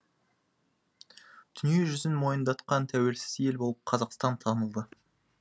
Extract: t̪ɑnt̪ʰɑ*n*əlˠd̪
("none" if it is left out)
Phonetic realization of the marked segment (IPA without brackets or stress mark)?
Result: n